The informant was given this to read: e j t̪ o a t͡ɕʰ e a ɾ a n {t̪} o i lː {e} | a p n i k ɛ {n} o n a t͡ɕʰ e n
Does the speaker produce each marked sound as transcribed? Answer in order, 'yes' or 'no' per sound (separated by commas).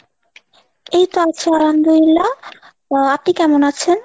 no, no, no